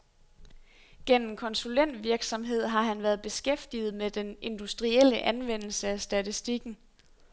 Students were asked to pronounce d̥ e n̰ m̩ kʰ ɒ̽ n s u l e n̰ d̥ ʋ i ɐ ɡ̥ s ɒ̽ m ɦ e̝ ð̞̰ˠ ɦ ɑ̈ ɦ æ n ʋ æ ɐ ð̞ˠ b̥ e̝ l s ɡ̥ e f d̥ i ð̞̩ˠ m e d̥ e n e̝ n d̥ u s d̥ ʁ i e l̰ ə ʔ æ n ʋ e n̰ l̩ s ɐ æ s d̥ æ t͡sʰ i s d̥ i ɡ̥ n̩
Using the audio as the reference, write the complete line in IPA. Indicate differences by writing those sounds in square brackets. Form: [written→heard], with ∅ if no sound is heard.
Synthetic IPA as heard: [d̥→ɡ̥] e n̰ m̩ kʰ ɒ̽ n s u l e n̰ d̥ ʋ i ɐ ɡ̥ s ɒ̽ m ɦ e̝ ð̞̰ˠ ɦ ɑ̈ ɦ æ n ʋ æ ɐ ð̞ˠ b̥ e̝ [l→∅] s ɡ̥ e f d̥ i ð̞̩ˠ m e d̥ e n e̝ n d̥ u s d̥ ʁ i e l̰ ə ʔ æ n ʋ e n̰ l̩ s [ɐ→ə] æ s d̥ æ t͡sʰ i s d̥ i ɡ̥ n̩